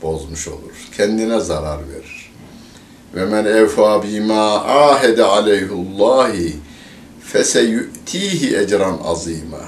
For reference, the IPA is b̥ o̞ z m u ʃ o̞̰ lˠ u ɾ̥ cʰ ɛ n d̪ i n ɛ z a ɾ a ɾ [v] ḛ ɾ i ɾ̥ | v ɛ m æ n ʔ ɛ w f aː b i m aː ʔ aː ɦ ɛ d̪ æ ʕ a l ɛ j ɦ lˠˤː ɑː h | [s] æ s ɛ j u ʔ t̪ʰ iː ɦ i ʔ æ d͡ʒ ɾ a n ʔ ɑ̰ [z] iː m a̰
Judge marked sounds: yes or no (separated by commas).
yes, no, yes